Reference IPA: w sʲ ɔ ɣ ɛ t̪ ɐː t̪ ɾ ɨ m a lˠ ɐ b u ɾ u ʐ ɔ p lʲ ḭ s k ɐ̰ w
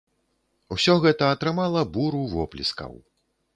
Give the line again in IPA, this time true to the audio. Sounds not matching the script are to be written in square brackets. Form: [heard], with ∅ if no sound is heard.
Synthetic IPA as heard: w sʲ ɔ ɣ ɛ t̪ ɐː t̪ ɾ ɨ m a lˠ ɐ b u ɾ u [v] ɔ p lʲ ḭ s k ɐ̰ w

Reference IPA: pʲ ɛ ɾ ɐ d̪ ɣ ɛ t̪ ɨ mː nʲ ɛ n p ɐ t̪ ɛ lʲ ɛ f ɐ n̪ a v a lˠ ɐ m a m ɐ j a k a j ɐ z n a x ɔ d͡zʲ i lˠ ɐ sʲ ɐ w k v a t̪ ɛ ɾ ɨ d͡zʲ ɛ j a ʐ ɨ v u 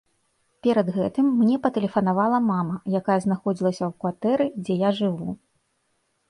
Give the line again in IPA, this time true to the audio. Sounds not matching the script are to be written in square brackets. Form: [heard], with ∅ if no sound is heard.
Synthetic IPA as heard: pʲ ɛ ɾ ɐ d̪ ɣ ɛ t̪ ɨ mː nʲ ɛ [∅] p ɐ t̪ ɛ lʲ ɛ f ɐ n̪ a v a lˠ ɐ m a m ɐ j a k a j ɐ z n a x ɔ d͡zʲ i lˠ ɐ sʲ ɐ w k v a t̪ ɛ ɾ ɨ d͡zʲ ɛ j a ʐ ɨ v u

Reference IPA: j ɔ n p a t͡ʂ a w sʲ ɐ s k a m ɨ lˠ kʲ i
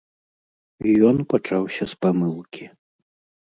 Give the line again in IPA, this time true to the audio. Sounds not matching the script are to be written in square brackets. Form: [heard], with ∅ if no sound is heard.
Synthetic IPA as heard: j ɔ n p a t͡ʂ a w sʲ ɐ s [p] a m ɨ lˠ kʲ i

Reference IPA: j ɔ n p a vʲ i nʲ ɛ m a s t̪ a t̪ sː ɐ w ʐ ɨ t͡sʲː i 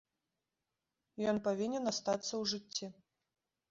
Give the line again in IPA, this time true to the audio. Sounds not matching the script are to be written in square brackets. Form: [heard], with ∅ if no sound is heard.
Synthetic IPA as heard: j ɔ n p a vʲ i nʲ ɛ [n] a s t̪ a t̪ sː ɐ w ʐ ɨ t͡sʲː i

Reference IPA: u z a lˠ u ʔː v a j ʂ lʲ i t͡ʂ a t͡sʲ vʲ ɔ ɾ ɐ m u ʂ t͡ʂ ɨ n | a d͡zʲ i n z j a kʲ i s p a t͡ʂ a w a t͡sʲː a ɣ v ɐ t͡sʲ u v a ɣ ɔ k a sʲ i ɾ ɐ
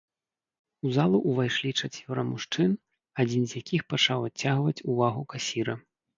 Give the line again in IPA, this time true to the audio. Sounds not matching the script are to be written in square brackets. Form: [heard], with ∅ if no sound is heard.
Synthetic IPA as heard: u z a lˠ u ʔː v a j ʂ lʲ i t͡ʂ a t͡sʲ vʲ ɔ ɾ ɐ m u ʂ t͡ʂ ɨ n | a d͡zʲ i n z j a kʲ i [x] p a t͡ʂ a w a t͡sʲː a ɣ v ɐ t͡sʲ u v a ɣ [u] k a sʲ i ɾ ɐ

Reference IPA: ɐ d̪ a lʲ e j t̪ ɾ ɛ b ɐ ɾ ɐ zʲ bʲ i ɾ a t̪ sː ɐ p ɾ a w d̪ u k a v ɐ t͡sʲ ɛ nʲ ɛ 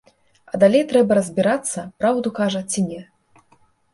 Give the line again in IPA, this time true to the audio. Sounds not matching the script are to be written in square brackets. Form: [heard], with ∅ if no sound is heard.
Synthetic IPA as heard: ɐ d̪ a lʲ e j t̪ ɾ ɛ b ɐ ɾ ɐ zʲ bʲ i ɾ a t̪ sː ɐ p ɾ a w d̪ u k a [ʐ] ɐ t͡sʲ [i] nʲ ɛ

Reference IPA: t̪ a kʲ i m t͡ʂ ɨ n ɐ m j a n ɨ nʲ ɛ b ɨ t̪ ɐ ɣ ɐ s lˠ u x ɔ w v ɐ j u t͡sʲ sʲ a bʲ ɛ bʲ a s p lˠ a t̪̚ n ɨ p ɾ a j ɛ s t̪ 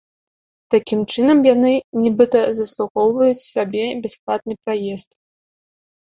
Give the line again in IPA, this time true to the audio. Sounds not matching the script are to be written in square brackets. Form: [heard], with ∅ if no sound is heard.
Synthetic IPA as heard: t̪ a kʲ i m t͡ʂ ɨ n ɐ m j a n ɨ nʲ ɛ b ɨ t̪ ɐ [z] ɐ s lˠ u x ɔ w v ɐ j u t͡sʲ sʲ a bʲ ɛ bʲ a s p lˠ a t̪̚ n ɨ p ɾ a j ɛ s t̪

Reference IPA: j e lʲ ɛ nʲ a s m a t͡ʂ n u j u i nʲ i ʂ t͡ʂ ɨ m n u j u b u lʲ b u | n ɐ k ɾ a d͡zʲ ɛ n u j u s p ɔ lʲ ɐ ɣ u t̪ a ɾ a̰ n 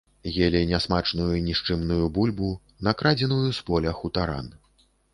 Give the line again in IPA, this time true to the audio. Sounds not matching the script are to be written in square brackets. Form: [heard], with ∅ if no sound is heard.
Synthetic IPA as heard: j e lʲ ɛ nʲ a s m a t͡ʂ n u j u i nʲ i ʂ t͡ʂ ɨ m n u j u b u lʲ b u | n ɐ k ɾ a d͡zʲ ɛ n u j u s p ɔ lʲ ɐ [x] u t̪ a ɾ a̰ n

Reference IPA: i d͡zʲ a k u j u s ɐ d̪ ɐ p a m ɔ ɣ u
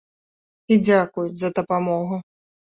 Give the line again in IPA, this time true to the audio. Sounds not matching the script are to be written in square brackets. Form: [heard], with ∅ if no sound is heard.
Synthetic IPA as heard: i d͡zʲ a k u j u [z] ɐ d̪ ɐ p a m ɔ ɣ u

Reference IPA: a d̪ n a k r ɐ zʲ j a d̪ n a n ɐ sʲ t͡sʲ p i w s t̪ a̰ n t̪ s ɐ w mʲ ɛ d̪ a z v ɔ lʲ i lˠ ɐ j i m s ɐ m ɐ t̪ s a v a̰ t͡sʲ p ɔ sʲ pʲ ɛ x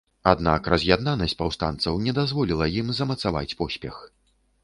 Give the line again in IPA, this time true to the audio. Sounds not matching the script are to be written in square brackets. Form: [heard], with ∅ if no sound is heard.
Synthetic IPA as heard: a d̪ n a k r ɐ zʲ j a d̪ n a n ɐ sʲ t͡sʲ p [a] w s t̪ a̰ n t̪ s ɐ w [nʲ] ɛ d̪ a z v ɔ lʲ i lˠ ɐ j i m [z] ɐ m ɐ t̪ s a v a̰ t͡sʲ p ɔ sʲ pʲ ɛ x

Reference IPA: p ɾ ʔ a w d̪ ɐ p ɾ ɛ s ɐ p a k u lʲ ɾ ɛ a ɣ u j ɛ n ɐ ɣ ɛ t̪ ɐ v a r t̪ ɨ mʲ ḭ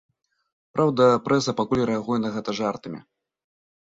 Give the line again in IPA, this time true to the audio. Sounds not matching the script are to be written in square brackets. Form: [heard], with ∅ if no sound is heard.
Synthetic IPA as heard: p ɾ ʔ a w d̪ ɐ p ɾ ɛ s ɐ p a k u lʲ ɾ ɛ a ɣ u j ɛ n ɐ ɣ ɛ t̪ ɐ [ʐ] a r t̪ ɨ mʲ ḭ

